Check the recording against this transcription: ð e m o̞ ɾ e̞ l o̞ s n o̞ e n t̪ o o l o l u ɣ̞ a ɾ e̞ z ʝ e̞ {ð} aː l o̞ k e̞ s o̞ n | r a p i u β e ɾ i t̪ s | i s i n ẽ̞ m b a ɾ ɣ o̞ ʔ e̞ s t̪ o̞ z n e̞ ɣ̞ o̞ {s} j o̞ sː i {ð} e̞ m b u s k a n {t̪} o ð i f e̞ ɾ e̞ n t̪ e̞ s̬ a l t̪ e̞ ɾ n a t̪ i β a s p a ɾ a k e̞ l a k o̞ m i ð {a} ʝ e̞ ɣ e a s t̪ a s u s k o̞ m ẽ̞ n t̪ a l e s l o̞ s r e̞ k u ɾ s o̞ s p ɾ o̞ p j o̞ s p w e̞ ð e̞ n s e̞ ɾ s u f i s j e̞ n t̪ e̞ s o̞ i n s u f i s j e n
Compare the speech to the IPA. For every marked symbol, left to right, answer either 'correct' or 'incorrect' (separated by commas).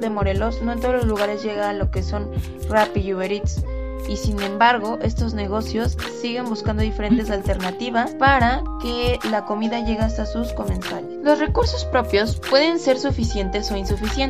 incorrect, correct, incorrect, incorrect, correct